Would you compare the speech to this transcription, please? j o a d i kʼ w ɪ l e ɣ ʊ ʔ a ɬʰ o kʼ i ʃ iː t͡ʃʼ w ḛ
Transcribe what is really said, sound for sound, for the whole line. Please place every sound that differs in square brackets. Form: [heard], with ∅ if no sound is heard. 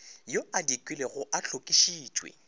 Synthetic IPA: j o a d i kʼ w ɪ l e ɣ ʊ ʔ a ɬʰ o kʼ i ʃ iː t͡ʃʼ w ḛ